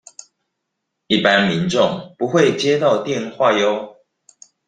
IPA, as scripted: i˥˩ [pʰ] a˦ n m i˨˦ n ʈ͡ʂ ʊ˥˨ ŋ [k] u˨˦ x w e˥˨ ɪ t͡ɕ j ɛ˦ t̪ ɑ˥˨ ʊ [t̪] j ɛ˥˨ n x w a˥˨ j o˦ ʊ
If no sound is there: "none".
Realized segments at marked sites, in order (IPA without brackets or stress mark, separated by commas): p, p, t̪